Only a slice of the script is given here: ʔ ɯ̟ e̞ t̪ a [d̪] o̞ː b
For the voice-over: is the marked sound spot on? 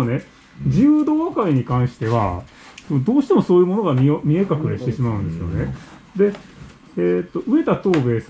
no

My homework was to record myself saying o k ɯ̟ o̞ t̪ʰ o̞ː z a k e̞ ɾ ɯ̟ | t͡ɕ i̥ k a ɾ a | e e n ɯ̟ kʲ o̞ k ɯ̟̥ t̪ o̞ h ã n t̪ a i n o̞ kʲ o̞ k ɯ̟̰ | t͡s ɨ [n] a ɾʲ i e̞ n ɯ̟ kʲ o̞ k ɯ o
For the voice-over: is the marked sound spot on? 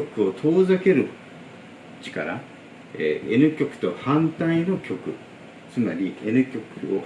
no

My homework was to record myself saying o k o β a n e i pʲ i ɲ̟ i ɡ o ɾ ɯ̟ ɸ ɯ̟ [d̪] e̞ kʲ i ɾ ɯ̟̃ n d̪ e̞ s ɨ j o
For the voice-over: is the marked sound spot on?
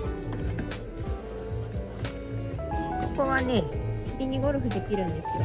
yes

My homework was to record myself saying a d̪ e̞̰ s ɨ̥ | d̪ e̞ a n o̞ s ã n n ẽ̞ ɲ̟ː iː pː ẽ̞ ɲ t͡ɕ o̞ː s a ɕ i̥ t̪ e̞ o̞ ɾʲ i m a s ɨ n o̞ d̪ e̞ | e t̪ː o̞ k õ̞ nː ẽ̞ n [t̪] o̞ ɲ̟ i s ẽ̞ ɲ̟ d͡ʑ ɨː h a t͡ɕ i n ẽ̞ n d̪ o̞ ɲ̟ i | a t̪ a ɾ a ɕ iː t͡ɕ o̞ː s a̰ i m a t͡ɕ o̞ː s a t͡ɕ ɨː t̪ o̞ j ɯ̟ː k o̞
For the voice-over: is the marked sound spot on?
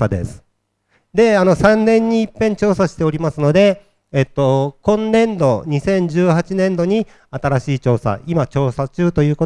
no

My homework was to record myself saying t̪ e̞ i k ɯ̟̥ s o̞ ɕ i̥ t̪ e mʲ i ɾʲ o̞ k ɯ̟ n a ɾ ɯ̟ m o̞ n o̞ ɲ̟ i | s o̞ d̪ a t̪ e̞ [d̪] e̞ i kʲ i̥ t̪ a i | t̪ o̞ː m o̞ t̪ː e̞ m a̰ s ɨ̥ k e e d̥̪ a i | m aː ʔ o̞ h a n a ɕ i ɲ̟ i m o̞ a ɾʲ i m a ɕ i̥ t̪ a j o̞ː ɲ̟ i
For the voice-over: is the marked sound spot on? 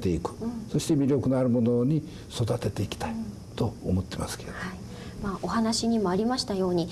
no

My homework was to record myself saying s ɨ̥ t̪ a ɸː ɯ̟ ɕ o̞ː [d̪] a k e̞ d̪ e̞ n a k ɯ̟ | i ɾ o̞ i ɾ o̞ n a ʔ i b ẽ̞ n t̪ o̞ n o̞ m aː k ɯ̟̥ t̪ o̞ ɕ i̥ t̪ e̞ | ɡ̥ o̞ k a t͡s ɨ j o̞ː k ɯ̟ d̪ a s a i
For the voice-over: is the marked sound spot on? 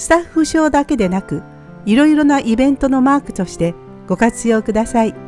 yes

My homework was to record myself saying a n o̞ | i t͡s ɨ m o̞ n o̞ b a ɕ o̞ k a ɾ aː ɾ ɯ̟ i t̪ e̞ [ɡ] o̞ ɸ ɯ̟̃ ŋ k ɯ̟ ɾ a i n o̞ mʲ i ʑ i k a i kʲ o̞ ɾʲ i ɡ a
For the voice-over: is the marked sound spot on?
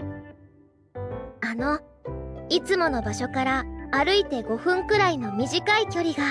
yes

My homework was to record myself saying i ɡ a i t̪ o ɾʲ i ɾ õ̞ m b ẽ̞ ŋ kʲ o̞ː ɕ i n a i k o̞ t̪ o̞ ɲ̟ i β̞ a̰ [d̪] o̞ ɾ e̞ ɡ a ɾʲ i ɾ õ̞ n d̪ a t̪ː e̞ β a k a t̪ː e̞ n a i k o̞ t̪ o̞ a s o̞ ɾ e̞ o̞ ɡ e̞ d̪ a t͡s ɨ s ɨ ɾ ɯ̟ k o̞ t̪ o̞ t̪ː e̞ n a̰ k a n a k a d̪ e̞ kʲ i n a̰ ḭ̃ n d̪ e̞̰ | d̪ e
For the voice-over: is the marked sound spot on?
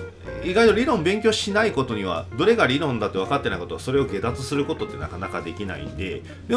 yes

